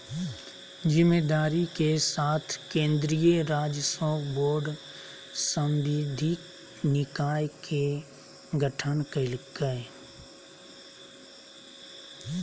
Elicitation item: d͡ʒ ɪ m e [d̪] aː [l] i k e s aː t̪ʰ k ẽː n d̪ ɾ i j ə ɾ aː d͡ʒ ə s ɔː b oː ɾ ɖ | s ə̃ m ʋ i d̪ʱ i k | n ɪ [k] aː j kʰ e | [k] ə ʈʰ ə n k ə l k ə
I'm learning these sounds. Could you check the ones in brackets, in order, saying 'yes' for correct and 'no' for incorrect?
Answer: yes, no, yes, no

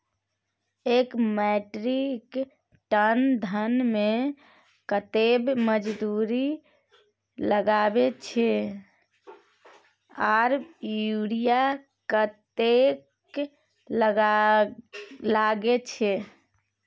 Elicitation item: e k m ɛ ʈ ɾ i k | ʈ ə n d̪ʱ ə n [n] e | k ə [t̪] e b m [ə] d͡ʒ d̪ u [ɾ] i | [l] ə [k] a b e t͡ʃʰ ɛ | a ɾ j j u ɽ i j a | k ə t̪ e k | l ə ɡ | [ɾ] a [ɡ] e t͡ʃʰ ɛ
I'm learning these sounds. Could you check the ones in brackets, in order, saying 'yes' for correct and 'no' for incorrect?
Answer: no, yes, yes, yes, yes, no, no, yes

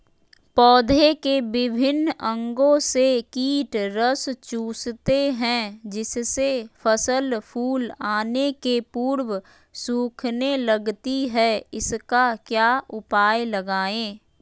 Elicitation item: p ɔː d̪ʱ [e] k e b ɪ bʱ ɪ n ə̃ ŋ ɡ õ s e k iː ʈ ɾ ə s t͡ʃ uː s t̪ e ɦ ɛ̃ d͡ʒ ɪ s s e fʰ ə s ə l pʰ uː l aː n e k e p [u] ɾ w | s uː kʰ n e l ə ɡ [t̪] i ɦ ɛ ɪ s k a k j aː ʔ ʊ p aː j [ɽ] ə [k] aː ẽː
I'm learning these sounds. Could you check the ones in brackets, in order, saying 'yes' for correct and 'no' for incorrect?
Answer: yes, no, yes, no, no

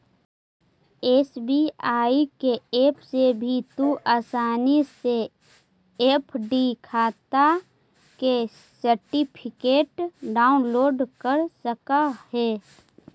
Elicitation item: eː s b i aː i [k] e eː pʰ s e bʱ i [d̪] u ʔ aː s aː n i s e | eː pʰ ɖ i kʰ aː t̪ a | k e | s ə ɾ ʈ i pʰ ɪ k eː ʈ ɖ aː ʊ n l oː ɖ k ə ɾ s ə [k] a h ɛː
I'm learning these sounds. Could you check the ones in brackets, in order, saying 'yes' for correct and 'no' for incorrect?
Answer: yes, no, yes

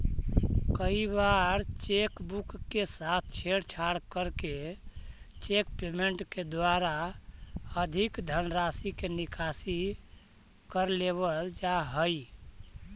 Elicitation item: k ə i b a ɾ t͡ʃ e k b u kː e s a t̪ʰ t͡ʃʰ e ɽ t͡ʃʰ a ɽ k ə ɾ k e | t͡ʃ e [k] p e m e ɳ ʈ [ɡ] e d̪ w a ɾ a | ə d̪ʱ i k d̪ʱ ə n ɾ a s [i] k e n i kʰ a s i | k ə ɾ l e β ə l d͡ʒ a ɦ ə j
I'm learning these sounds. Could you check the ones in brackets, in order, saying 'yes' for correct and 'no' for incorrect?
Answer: yes, no, yes

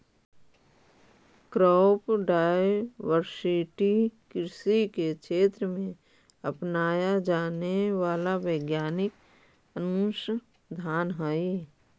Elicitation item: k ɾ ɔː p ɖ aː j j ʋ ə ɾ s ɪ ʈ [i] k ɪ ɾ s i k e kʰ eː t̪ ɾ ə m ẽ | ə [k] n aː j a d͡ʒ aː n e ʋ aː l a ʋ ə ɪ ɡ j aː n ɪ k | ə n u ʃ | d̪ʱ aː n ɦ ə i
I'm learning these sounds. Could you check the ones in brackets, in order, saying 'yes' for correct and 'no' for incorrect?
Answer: yes, no

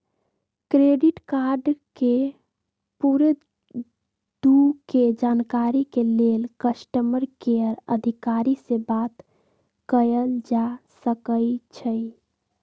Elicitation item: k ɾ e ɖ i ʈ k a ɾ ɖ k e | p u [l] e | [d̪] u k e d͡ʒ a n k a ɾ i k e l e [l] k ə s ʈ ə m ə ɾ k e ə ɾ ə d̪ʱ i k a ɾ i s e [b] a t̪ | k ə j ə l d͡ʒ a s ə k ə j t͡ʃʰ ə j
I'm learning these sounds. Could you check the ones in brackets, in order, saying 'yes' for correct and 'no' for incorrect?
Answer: no, yes, yes, yes

